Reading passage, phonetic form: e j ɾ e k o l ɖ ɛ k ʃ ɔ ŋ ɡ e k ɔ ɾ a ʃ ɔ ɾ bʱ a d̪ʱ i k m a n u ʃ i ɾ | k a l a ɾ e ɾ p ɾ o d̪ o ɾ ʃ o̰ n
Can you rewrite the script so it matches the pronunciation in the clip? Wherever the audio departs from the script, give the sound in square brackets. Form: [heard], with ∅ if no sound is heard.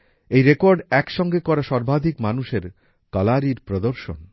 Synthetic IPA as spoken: e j ɾ e k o [ɾ] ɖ ɛ k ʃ ɔ ŋ ɡ e k ɔ ɾ a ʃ ɔ ɾ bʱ a d̪ʱ i k m a n u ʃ [e] ɾ | k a l a ɾ [i] ɾ p ɾ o d̪ o ɾ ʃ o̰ n